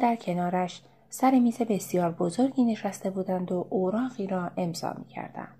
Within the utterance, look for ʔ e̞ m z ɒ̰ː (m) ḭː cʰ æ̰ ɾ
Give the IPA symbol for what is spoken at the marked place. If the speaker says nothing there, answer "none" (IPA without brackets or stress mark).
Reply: m